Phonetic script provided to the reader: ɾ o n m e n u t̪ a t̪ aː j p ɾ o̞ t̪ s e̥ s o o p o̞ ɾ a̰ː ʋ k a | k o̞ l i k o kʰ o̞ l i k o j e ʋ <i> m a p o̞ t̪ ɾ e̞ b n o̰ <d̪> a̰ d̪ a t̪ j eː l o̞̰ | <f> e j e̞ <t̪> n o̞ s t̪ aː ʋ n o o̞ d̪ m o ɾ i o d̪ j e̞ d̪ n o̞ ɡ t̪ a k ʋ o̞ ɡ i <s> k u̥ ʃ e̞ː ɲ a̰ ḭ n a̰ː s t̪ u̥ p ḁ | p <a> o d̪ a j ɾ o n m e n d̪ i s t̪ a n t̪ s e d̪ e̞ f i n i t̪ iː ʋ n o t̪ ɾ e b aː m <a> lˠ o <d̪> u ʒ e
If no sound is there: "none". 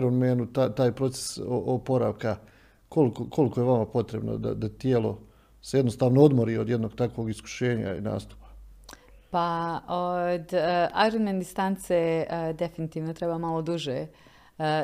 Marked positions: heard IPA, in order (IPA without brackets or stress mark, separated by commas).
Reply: a, d̪, s, d̪, s, a, a, d̪